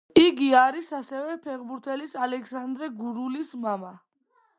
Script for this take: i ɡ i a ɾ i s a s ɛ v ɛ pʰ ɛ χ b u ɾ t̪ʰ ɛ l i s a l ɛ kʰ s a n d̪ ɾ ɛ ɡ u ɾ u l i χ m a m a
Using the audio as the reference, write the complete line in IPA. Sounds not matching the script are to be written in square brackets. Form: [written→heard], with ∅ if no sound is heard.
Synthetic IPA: i ɡ i a ɾ i s a s ɛ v ɛ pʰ ɛ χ b u ɾ t̪ʰ ɛ l i s a l ɛ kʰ s a n d̪ ɾ ɛ ɡ u ɾ u l i [χ→s] m a m a